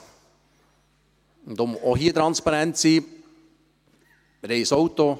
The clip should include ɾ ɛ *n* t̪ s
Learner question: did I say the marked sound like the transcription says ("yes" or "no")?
yes